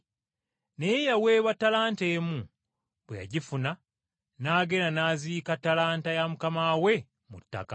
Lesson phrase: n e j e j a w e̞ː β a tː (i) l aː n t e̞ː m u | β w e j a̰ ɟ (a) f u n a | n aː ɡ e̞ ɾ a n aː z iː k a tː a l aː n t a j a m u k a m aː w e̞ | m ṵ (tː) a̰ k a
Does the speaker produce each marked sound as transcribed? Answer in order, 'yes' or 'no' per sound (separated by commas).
no, no, yes